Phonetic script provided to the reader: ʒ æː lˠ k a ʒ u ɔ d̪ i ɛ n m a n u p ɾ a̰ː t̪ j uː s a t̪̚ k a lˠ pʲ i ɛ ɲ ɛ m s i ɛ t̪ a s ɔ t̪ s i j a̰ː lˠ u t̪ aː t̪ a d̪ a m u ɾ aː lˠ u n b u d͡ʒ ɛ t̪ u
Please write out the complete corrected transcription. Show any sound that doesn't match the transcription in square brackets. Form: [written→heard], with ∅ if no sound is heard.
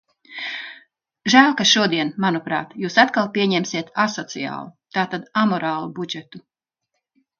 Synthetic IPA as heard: ʒ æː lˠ k a [ʒ→ʃ] u ɔ d̪ i ɛ n m a n u p ɾ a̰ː t̪ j uː s a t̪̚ k a lˠ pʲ i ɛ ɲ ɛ m s i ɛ t̪ a s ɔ t̪ s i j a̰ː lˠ u t̪ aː t̪ a d̪ a m [u→ɔ] ɾ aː lˠ u [n→∅] b u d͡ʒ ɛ t̪ u

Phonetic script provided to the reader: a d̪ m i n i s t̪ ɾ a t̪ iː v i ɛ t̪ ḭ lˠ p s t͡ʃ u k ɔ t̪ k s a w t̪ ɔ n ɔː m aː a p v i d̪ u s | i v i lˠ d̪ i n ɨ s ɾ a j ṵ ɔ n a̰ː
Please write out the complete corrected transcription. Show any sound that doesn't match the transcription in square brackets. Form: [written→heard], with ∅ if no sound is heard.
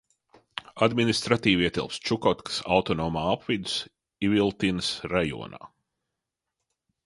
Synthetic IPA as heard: a d̪ m i n i s t̪ ɾ a t̪ iː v i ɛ t̪ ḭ lˠ p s t͡ʃ u k ɔ t̪ k s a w t̪ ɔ n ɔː m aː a p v i d̪ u s | i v i lˠ [d̪→t̪] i n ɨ s ɾ a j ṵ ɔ n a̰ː

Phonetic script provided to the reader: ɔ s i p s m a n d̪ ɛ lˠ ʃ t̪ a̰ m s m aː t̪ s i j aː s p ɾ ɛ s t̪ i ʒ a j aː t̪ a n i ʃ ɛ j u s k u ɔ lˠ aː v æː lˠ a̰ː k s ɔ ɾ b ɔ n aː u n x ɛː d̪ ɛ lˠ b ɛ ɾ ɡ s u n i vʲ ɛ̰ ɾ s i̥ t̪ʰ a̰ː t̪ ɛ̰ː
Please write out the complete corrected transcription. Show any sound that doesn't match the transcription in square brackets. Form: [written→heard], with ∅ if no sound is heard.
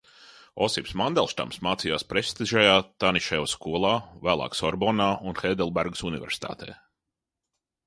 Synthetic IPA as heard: ɔ s i p s m a n d̪ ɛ lˠ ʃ t̪ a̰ m s m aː t̪ s i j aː s p ɾ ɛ s t̪ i ʒ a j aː t̪ a n i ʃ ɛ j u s k u ɔ lˠ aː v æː lˠ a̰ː k s ɔ ɾ b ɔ n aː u n x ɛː d̪ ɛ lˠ b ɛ ɾ ɡ s u n i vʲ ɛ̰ ɾ s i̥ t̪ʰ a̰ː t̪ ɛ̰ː

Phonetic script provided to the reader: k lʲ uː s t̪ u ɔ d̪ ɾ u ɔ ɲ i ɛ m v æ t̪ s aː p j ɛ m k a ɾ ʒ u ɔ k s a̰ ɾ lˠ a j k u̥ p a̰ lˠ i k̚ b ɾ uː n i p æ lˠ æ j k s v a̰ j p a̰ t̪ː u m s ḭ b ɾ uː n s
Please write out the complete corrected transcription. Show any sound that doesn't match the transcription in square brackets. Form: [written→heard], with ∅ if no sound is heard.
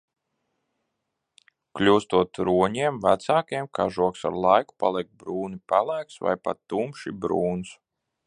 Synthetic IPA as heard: k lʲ uː s t̪ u ɔ [d̪→t̪] ɾ u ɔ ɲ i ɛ m v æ t̪ s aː [p→k] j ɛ m k a [ɾ→∅] ʒ u ɔ k s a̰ ɾ lˠ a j k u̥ p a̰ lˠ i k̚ b ɾ uː n i p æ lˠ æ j k s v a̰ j p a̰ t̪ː u m [s→ʃ] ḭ b ɾ uː n s

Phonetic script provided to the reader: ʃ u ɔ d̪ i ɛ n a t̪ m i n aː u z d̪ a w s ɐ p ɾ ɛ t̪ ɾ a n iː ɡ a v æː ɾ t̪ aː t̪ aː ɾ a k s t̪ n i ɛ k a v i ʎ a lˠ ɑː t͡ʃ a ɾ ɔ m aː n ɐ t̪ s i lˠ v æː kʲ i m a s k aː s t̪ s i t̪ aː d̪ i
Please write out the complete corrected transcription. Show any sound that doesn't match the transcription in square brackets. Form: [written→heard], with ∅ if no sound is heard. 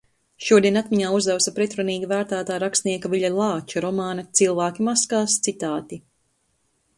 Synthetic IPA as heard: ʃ u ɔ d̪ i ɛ n a t̪ m i [n→ɲ] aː u z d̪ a w s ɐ p ɾ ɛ t̪ ɾ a n iː ɡ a v æː ɾ t̪ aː t̪ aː ɾ a k s t̪ n i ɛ k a v i ʎ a lˠ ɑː t͡ʃ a ɾ ɔ m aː n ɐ t̪ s i lˠ v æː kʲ i m a s k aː s t̪ s i t̪ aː [d̪→t̪] i

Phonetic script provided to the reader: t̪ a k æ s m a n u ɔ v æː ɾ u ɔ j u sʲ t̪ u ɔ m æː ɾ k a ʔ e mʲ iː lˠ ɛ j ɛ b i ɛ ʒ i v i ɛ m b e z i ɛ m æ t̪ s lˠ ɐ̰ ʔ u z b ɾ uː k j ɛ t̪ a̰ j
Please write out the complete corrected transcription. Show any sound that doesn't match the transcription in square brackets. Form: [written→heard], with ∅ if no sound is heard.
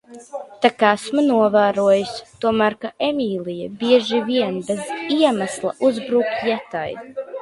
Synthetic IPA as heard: t̪ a k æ s m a n u ɔ v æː ɾ u ɔ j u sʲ t̪ u ɔ m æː ɾ k a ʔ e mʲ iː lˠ [ɛ→i] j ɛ b i ɛ ʒ i v i ɛ [m→n] b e z i ɛ m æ [t̪→∅] s lˠ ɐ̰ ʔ u z b ɾ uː k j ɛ t̪ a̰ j

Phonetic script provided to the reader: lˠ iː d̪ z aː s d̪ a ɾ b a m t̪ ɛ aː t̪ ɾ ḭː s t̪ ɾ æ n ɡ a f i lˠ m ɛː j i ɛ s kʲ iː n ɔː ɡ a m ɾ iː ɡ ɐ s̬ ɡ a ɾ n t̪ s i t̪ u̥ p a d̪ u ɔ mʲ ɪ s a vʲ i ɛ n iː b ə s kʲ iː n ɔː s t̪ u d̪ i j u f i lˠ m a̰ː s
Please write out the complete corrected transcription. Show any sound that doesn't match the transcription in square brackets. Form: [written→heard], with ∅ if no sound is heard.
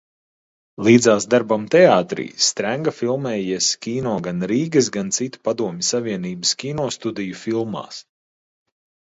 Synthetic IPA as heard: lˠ iː d̪ z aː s d̪ a ɾ b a m t̪ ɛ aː t̪ ɾ ḭː s t̪ ɾ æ [n→ŋ] ɡ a f i lˠ m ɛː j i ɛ s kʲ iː n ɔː ɡ a [m→n] ɾ iː ɡ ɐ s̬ ɡ a [ɾ→∅] n t̪ s i t̪ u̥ p a d̪ u ɔ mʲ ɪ s a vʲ i ɛ n iː b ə s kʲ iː n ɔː s t̪ u d̪ i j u f i lˠ m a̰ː s

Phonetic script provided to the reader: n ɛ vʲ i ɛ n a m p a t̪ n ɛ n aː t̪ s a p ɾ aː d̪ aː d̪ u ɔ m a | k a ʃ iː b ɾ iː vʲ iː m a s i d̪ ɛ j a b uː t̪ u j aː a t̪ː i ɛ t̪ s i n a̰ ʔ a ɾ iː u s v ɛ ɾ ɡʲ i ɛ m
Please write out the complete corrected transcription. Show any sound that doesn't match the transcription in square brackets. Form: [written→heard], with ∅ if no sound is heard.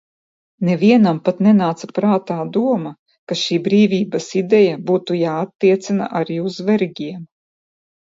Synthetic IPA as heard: n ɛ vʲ i ɛ n a m p a t̪ n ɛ n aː t̪ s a p ɾ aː [d̪→t̪] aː d̪ u ɔ m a | k a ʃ iː b ɾ iː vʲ iː [m→b] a s i d̪ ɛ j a b uː t̪ u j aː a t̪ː i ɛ t̪ s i n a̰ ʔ a ɾ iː u [s→z] v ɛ ɾ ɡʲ i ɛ m

